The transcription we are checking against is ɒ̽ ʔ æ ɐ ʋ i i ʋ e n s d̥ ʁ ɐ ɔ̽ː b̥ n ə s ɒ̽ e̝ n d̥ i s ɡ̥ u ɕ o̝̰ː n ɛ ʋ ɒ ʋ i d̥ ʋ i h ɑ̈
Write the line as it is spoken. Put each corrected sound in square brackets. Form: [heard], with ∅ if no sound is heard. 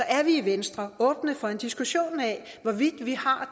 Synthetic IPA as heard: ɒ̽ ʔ æ ɐ ʋ i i ʋ e n s d̥ ʁ ɐ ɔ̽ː b̥ n ə [f] ɒ̽ e̝ n d̥ i s ɡ̥ u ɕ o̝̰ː n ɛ ʋ ɒ ʋ i d̥ ʋ i h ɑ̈